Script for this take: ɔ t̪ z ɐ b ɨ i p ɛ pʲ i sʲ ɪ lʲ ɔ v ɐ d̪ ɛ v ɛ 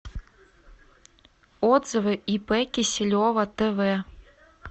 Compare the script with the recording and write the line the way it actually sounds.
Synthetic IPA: ɔ d̪ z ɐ v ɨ i p ɛ kʲ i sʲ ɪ lʲ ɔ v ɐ t̪ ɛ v ɛ